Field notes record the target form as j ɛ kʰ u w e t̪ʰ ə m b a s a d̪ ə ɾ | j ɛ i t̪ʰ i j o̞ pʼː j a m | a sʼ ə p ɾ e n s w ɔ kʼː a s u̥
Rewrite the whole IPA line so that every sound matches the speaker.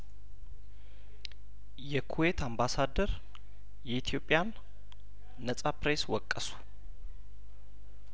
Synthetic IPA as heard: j ɛ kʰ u w e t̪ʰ a m b a s a d̪ ə ɾ | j ɛ i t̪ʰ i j o̞ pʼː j a n | ə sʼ a p ɾ e s w ɔ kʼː ə s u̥